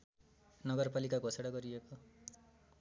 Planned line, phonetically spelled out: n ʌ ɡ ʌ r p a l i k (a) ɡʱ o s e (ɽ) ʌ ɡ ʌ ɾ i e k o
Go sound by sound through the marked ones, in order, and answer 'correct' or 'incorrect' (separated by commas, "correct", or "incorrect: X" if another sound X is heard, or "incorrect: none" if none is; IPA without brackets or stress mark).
correct, correct